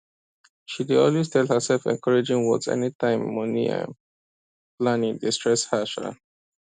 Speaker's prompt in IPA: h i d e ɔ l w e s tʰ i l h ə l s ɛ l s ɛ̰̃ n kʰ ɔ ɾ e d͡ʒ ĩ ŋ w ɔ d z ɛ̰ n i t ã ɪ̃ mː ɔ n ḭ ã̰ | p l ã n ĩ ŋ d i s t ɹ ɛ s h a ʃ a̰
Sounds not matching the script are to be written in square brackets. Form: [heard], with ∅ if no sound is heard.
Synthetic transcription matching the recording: [ʃ] i d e ɔ l w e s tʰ [ɛ] l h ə [∅] s ɛ l [f] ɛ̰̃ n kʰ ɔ [ɹ] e d͡ʒ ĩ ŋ w ɔ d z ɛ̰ n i t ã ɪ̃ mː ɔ n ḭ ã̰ | p l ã n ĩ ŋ d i s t ɹ ɛ s h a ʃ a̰